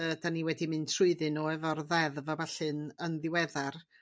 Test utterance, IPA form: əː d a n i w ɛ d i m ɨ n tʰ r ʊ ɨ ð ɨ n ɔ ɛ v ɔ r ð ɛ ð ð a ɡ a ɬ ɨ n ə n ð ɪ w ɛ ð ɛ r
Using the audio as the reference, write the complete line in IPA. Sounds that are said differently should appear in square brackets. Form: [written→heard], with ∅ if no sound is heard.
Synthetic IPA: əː d a n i w ɛ d i m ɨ n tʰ r ʊ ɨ ð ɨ n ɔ ɛ v ɔ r ð ɛ ð [ð→v] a [ɡ→b] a ɬ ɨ n ə n ð ɪ w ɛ ð [ɛ→a] r